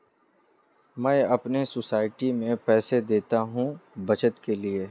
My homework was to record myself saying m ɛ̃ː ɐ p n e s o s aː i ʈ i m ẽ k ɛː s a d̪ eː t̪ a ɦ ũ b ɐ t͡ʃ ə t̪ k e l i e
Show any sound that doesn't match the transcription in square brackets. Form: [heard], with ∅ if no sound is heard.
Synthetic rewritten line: m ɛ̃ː ɐ p n e s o s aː [ɪ] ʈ i m ẽ [p] ɛː s [e] d̪ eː t̪ a ɦ ũ b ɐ t͡ʃ ə t̪ k e l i e